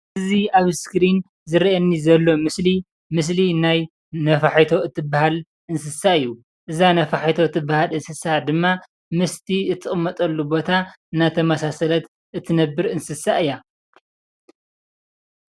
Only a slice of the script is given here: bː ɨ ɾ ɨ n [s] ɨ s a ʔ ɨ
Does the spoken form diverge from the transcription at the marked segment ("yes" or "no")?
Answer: no